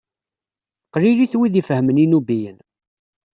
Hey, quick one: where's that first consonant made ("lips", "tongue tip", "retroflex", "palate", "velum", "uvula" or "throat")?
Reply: uvula